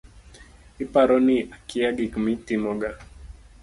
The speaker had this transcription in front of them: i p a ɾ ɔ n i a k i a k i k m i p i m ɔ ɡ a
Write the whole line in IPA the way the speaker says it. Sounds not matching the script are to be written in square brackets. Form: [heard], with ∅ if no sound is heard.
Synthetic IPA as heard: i p a ɾ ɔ n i a k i a [ɡ] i k m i [t] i m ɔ ɡ a